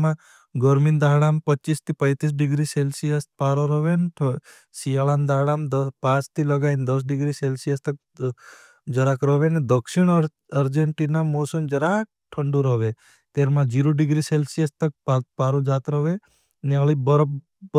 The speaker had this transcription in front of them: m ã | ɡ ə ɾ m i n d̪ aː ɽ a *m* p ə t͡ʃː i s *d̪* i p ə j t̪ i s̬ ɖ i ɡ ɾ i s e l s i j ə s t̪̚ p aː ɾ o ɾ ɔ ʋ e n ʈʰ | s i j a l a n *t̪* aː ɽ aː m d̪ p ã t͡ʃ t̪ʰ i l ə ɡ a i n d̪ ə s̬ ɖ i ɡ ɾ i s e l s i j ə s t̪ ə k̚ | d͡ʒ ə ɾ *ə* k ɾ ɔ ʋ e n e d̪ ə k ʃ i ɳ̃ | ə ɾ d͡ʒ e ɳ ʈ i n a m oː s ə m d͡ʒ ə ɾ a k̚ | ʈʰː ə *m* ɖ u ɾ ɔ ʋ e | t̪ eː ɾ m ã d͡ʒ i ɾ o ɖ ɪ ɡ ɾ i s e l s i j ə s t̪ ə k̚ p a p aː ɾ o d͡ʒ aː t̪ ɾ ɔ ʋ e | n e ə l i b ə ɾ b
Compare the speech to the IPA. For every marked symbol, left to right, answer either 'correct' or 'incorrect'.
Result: correct, incorrect, incorrect, incorrect, incorrect

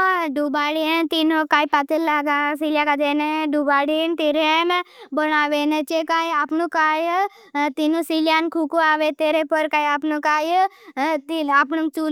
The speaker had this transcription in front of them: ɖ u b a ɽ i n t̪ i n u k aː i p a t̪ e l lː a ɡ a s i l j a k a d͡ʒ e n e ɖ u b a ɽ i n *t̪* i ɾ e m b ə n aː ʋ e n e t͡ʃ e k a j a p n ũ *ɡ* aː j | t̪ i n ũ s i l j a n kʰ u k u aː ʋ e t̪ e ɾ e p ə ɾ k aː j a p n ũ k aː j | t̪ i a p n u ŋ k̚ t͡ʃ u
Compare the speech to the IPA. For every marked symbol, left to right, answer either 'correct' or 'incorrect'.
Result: correct, incorrect

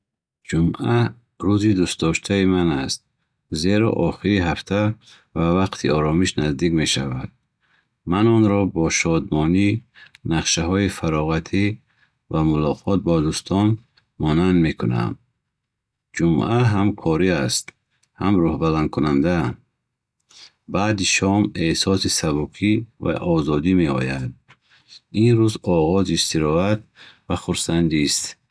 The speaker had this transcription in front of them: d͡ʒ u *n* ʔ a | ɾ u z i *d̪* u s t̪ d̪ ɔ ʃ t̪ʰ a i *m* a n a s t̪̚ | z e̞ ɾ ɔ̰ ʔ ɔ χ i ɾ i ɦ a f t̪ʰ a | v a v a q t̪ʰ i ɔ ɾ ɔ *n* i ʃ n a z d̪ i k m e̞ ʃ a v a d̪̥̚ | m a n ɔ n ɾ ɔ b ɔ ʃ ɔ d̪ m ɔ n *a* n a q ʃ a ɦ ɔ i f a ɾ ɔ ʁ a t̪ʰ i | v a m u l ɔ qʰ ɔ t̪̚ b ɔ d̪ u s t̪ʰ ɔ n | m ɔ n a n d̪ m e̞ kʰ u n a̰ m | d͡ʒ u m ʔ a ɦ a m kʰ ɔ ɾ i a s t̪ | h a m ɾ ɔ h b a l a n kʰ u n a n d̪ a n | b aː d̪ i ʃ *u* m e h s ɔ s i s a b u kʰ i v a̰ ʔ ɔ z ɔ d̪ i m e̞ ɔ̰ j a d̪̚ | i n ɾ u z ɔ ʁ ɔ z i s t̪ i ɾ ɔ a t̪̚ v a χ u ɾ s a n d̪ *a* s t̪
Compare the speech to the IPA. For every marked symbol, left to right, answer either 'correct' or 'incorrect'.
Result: incorrect, correct, correct, incorrect, incorrect, incorrect, incorrect

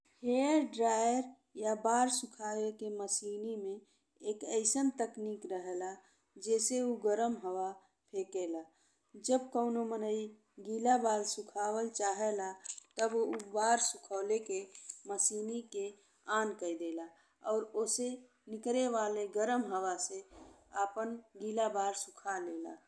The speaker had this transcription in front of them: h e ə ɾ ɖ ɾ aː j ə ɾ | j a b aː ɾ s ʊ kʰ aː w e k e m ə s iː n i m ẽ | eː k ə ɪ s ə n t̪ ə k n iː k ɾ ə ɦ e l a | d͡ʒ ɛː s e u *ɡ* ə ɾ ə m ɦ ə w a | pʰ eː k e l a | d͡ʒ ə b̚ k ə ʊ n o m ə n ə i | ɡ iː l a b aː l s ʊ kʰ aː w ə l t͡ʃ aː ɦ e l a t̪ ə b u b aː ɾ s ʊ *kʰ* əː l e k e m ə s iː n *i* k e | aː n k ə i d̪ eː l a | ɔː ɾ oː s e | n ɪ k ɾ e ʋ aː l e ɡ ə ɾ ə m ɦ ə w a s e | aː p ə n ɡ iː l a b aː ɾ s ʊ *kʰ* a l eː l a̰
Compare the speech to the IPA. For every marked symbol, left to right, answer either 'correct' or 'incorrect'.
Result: correct, correct, correct, correct

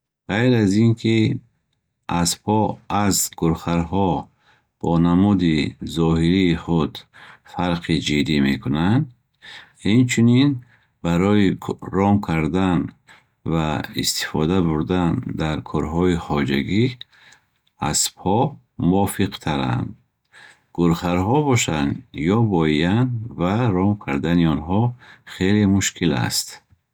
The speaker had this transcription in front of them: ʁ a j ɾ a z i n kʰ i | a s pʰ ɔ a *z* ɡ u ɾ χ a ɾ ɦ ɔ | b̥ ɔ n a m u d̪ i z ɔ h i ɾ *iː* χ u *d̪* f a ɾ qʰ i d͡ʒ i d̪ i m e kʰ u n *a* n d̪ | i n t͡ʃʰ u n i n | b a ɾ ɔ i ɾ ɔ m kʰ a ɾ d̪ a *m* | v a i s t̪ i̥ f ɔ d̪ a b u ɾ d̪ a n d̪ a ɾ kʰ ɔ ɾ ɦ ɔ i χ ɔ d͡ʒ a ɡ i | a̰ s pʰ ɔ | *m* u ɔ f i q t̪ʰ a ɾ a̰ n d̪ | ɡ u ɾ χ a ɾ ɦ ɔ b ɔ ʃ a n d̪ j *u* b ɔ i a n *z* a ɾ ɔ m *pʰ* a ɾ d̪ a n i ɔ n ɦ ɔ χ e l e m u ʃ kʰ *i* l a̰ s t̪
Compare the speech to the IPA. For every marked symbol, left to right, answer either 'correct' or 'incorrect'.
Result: correct, correct, correct, correct, incorrect, correct, incorrect, incorrect, incorrect, correct

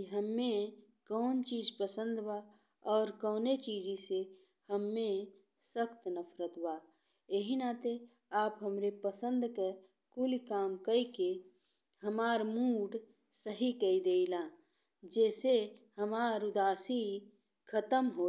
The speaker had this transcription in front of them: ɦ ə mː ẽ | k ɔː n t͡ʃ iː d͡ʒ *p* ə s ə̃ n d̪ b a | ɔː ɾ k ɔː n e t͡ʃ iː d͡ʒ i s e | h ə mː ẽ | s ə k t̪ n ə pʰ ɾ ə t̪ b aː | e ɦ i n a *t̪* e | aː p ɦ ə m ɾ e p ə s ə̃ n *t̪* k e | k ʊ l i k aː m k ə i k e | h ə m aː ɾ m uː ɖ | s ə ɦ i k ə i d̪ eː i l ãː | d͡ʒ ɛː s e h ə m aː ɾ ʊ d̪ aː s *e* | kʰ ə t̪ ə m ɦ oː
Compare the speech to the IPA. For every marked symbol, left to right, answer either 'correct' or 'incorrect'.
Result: correct, correct, incorrect, incorrect

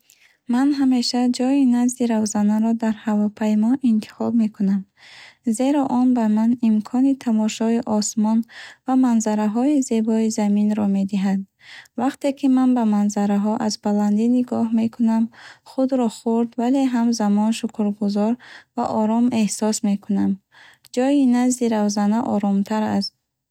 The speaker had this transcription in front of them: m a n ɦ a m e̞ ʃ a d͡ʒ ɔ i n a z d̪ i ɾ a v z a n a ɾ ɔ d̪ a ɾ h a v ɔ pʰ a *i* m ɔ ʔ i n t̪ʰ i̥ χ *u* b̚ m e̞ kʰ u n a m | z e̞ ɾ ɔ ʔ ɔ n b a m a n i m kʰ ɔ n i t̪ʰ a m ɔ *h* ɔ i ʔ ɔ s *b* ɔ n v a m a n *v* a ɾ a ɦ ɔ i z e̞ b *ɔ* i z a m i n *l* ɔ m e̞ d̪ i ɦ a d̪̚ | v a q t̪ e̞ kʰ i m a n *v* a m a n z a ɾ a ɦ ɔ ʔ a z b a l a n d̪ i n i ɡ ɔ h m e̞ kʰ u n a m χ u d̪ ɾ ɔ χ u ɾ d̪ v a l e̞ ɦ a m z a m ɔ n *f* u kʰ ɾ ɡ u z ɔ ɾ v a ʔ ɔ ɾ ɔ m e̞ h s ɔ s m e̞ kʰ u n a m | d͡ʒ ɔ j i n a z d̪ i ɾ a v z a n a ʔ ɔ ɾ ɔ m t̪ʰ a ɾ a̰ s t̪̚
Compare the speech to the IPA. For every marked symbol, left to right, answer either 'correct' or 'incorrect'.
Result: incorrect, incorrect, incorrect, incorrect, incorrect, correct, incorrect, incorrect, incorrect

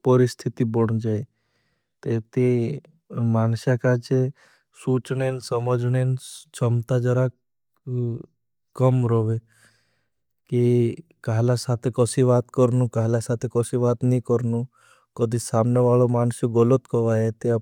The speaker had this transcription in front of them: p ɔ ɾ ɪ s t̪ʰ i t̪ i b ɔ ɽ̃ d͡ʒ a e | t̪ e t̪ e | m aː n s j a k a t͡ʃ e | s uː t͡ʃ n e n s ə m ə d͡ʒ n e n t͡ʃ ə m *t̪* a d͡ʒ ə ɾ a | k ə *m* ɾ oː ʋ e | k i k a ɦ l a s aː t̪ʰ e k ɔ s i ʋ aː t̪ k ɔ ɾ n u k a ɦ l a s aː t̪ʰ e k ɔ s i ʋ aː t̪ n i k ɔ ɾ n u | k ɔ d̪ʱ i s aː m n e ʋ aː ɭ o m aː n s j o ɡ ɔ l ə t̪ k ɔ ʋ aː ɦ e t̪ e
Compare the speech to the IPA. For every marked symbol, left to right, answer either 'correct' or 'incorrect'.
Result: correct, correct

